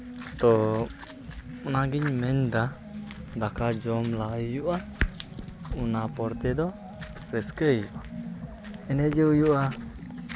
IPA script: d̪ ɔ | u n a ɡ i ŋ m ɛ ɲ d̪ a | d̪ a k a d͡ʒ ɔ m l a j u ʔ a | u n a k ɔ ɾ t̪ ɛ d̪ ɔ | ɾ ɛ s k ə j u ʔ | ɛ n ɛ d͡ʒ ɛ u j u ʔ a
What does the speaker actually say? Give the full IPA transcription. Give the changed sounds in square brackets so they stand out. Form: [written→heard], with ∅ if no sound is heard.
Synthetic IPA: [d̪→t̪] ɔ | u n a ɡ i [ŋ→ɲ] m ɛ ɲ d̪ a | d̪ a k a d͡ʒ ɔ m l a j u ʔ a | u n a [k→p] ɔ ɾ t̪ ɛ d̪ ɔ | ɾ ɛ s k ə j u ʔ | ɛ n ɛ d͡ʒ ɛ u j u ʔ a

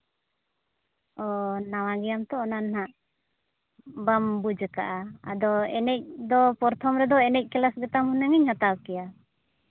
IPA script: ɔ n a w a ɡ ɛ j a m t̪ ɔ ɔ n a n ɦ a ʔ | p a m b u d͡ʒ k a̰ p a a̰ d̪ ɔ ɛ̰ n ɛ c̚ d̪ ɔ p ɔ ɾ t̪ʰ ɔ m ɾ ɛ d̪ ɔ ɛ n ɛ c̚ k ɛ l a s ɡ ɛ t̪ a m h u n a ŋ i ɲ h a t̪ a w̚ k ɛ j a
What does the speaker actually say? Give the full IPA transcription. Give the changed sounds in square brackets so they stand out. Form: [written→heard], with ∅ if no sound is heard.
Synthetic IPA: ɔ n a w a ɡ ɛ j a m t̪ ɔ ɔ n a n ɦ a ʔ | [p→b] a m b u d͡ʒ k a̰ [p→ʔ] a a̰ d̪ ɔ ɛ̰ n ɛ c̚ d̪ ɔ p ɔ ɾ t̪ʰ ɔ m ɾ ɛ d̪ ɔ ɛ n ɛ c̚ k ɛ l a s ɡ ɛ t̪ a m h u n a ŋ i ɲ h a t̪ a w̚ k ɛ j a

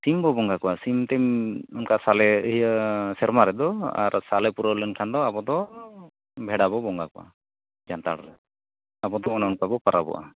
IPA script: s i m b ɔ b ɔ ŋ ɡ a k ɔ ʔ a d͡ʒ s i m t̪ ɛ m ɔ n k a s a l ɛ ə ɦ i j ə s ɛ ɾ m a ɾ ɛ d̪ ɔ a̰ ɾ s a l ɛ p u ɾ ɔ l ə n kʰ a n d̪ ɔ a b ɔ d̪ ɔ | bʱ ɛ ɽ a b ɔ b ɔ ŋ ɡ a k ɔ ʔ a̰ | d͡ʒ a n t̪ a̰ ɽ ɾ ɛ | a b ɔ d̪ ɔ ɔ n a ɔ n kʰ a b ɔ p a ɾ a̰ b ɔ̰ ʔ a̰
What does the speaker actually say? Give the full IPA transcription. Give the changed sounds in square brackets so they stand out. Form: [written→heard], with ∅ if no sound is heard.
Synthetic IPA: s i m b ɔ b ɔ ŋ ɡ a k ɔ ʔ a [d͡ʒ→∅] s i m t̪ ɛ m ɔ n k a s a l ɛ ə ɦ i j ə s ɛ ɾ m a ɾ ɛ d̪ ɔ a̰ ɾ s a l ɛ p u ɾ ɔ l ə n kʰ a n d̪ ɔ a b ɔ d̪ ɔ | bʱ ɛ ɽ a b ɔ b ɔ ŋ ɡ a k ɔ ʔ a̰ | d͡ʒ a n t̪ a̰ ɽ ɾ ɛ | a b ɔ d̪ ɔ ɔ n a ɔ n [kʰ→k] a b ɔ p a ɾ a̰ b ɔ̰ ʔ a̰

